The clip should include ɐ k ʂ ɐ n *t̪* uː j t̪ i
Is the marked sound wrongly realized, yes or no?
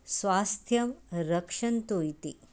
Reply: no